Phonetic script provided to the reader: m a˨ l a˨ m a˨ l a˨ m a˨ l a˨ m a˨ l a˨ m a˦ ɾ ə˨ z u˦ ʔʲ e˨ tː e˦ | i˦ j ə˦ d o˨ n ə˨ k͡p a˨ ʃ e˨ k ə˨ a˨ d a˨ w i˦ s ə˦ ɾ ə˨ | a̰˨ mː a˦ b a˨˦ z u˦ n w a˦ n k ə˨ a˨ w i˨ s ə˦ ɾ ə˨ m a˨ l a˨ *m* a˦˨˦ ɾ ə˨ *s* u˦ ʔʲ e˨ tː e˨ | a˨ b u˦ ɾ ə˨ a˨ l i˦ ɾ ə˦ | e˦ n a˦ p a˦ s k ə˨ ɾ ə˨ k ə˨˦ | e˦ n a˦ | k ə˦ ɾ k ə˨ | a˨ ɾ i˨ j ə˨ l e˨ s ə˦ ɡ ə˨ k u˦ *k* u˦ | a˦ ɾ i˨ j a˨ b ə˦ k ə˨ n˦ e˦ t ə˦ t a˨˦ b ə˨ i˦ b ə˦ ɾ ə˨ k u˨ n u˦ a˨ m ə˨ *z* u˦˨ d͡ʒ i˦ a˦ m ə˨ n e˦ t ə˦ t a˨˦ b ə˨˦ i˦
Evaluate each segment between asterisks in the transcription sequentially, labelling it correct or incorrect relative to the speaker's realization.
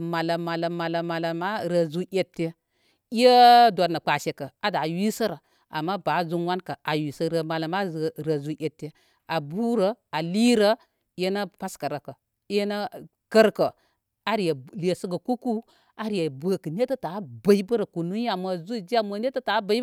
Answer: correct, incorrect: z, correct, correct

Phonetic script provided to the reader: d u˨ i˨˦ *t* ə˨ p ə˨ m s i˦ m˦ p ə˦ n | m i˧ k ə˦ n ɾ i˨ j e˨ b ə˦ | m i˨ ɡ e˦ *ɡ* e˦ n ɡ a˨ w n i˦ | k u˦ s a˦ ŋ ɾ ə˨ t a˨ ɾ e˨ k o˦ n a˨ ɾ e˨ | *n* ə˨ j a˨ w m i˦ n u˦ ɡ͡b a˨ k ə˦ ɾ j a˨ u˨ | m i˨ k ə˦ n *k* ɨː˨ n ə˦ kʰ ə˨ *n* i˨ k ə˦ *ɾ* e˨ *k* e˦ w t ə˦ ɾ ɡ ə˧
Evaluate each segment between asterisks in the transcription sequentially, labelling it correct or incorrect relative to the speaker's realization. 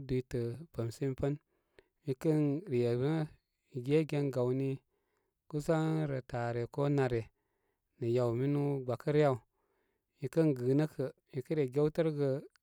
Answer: correct, correct, correct, incorrect: ɡ, incorrect: m, correct, incorrect: ɡ

